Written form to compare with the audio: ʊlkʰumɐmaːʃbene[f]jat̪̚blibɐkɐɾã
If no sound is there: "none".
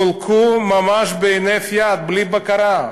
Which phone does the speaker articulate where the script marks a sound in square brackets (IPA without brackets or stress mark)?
f